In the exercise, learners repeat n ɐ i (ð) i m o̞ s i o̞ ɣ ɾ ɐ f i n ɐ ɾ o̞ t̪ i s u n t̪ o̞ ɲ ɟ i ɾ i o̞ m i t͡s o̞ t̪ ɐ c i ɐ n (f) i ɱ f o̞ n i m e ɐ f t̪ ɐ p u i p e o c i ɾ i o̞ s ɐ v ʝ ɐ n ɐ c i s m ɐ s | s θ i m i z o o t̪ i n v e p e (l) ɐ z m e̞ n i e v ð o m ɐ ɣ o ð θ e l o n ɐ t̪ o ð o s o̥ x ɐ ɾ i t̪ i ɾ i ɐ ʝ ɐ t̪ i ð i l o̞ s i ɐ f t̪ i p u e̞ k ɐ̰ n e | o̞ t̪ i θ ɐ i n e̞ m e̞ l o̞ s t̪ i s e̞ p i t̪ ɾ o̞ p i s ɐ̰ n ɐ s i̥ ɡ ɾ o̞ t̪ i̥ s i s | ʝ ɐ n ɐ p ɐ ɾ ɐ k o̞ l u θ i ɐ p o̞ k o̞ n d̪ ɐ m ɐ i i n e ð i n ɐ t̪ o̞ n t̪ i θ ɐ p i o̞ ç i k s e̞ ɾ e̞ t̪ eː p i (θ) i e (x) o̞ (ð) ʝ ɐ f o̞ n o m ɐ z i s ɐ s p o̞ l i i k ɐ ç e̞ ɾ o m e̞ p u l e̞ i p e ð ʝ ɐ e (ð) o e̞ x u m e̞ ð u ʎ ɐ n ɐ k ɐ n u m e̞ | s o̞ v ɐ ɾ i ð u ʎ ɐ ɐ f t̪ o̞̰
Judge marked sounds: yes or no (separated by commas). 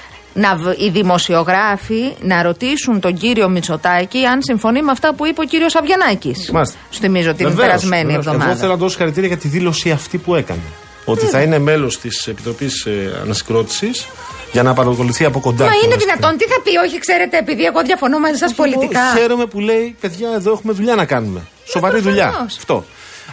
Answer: yes, no, no, no, no, yes, yes